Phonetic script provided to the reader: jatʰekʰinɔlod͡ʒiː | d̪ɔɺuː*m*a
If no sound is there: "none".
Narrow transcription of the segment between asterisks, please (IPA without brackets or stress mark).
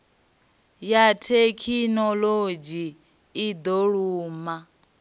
m